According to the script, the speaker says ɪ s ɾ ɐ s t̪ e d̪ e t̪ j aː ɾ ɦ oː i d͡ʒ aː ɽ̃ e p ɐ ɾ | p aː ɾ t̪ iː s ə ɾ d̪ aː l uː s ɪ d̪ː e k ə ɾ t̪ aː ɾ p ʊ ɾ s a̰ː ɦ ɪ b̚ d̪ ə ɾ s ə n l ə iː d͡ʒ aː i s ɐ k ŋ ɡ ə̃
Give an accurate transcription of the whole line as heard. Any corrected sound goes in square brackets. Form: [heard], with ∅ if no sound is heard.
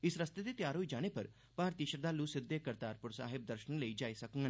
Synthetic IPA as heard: ɪ s ɾ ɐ s t̪ e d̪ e t̪ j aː ɾ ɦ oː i d͡ʒ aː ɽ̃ e p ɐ ɾ | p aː ɾ t̪ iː [ʃ] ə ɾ d̪ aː l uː s ɪ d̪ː e k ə ɾ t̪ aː ɾ p ʊ ɾ s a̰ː ɦ ɪ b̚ d̪ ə ɾ [ʃ] ə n l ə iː d͡ʒ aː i s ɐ k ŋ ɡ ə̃

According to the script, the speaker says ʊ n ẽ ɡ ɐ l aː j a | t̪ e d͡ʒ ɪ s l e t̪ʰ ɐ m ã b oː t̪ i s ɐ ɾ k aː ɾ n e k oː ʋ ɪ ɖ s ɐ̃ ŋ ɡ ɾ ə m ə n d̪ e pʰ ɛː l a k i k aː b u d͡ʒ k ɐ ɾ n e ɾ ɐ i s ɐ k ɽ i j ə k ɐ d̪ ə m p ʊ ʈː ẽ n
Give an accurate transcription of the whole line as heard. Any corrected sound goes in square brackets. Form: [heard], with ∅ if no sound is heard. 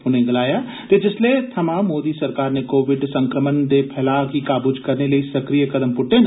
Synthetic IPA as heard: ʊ n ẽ ɡ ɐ l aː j a | t̪ e d͡ʒ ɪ s l e t̪ʰ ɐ m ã [m] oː [d̪] i s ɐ ɾ k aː ɾ n e k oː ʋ ɪ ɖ s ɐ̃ ŋ [k] ɾ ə m ə n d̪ e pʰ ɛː l a k i k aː b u d͡ʒ k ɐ ɾ n e [l] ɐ i s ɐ k [ɾ] i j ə k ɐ d̪ ə m p ʊ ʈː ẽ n

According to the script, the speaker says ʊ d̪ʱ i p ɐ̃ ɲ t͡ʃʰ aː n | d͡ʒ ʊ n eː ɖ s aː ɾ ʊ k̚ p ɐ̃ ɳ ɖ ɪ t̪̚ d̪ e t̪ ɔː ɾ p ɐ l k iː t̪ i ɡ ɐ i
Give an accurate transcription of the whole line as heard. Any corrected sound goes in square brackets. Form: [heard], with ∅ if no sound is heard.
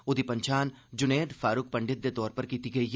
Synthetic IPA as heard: ʊ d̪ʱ i p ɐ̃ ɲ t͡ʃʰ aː n | d͡ʒ ʊ n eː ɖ [f] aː ɾ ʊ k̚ p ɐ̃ ɳ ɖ ɪ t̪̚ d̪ e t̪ ɔː ɾ p ɐ [ɾ] k iː t̪ i ɡ ɐ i

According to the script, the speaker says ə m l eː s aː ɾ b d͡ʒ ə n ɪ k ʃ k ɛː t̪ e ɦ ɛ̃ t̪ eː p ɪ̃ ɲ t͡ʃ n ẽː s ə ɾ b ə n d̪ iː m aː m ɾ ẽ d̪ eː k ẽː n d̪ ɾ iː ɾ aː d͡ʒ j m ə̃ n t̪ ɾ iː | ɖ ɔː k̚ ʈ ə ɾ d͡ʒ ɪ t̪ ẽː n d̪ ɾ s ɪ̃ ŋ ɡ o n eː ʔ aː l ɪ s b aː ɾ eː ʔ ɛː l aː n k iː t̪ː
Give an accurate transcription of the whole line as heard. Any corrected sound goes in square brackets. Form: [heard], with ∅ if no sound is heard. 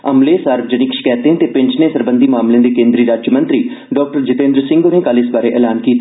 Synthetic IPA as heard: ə m l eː s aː ɾ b d͡ʒ ə n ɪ k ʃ k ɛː t̪ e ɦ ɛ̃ t̪ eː p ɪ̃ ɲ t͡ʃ n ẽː s ə ɾ b ə n d̪ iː m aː m [l] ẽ d̪ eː k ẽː n d̪ ɾ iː ɾ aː d͡ʒ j m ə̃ n t̪ ɾ iː | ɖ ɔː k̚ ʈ ə ɾ d͡ʒ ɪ t̪ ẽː n d̪ ɾ s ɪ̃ ŋ ɡ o n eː [k] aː l ɪ s b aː ɾ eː ʔ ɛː l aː n k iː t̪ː

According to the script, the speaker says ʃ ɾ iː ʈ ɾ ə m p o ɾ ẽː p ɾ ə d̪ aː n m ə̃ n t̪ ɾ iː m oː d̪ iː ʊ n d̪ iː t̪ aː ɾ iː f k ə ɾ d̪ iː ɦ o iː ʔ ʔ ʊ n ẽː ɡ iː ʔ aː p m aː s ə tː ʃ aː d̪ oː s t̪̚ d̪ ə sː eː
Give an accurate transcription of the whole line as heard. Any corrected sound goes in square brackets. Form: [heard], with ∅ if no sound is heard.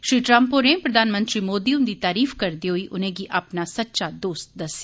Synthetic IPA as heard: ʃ ɾ iː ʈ ɾ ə m p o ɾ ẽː p ɾ ə d̪ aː n m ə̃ n t̪ ɾ iː m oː d̪ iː ʊ n d̪ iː t̪ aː ɾ iː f k ə ɾ d̪ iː ɦ o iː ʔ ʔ ʊ n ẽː ɡ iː ʔ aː p [n] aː s ə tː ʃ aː d̪ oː s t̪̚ d̪ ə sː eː

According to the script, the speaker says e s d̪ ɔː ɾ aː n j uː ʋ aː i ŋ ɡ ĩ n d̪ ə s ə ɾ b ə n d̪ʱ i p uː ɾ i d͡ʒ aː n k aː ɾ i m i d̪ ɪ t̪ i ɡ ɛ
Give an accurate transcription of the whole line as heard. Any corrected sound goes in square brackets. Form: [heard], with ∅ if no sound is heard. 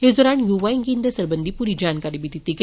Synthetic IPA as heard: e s d̪ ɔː ɾ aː n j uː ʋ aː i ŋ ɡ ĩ n d̪ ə s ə ɾ b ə n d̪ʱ i p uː ɾ i d͡ʒ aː n k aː ɾ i [b] i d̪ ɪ t̪ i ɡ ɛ

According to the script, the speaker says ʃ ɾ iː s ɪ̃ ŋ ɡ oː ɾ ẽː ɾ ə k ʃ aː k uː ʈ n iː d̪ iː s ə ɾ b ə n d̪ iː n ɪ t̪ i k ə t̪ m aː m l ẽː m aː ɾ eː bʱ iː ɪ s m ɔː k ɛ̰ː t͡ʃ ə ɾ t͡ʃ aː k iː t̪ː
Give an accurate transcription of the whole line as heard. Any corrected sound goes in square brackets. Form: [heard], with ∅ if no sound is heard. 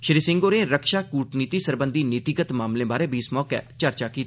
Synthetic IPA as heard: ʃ ɾ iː s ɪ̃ ŋ ɡ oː ɾ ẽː ɾ ə k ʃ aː k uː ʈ n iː [t̪] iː s ə ɾ b ə n d̪ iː n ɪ t̪ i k ə t̪ m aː m l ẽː [b] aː ɾ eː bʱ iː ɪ s m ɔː k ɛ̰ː t͡ʃ ə ɾ t͡ʃ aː k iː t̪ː

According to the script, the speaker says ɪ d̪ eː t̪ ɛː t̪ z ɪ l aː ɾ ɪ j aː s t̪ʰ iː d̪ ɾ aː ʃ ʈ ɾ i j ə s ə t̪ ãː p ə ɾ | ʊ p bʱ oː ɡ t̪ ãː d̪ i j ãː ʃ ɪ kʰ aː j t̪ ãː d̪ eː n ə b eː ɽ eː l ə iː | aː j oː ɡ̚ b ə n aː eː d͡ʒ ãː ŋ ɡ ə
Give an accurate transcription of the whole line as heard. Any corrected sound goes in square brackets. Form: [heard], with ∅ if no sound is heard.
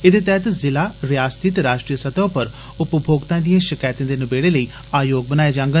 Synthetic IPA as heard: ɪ d̪ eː t̪ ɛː t̪ z ɪ l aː ɾ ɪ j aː s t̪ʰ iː [t̪] ɾ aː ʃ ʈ ɾ i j ə s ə t̪ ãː p ə ɾ | ʊ p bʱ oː ɡ t̪ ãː d̪ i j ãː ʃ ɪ [k] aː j t̪ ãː d̪ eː n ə b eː ɽ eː l ə iː | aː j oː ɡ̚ b ə n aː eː d͡ʒ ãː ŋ ɡ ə

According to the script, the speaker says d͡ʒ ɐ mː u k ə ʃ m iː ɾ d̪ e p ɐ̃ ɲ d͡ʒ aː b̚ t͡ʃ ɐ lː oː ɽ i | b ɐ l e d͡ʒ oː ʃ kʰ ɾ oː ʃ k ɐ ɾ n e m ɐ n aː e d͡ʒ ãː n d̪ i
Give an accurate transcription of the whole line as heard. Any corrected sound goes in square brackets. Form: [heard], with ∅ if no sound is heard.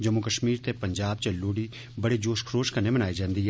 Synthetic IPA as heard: d͡ʒ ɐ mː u k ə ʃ m iː ɾ [t̪] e p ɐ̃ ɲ d͡ʒ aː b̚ t͡ʃ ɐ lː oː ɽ i | b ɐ [ɽ] e d͡ʒ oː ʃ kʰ ɾ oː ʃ k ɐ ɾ n e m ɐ n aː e d͡ʒ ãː n d̪ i

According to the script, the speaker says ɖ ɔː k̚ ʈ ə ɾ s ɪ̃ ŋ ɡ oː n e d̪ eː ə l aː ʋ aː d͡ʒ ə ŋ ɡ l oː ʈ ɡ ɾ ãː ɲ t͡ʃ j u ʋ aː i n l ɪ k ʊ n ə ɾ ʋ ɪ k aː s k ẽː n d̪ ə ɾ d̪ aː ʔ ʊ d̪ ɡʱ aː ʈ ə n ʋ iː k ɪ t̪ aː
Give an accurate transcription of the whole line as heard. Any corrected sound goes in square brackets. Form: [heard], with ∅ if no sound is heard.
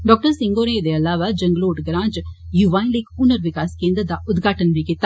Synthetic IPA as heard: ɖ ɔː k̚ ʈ ə ɾ s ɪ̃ ŋ ɡ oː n e d̪ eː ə l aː ʋ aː d͡ʒ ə ŋ ɡ l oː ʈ ɡ ɾ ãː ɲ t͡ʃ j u ʋ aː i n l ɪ k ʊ n ə ɾ ʋ ɪ k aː s k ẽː n d̪ ə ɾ d̪ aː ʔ ʊ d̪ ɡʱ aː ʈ ə n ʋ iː k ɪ t̪ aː

